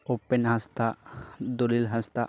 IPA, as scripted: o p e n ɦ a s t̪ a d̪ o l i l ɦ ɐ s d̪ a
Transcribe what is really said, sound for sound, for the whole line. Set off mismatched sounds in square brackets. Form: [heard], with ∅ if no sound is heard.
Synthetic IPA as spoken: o p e n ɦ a s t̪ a d̪ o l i l ɦ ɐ s [t̪] a